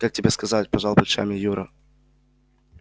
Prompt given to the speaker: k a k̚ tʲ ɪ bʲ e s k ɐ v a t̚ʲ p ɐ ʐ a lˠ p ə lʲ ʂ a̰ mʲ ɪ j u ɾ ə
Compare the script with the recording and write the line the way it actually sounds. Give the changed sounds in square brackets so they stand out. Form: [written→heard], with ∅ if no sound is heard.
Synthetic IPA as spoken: k a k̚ tʲ ɪ bʲ e s k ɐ [v→z] a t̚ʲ p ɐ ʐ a lˠ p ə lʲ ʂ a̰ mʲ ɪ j u ɾ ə